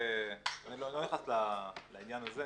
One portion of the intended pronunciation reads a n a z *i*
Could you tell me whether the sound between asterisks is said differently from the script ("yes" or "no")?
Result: yes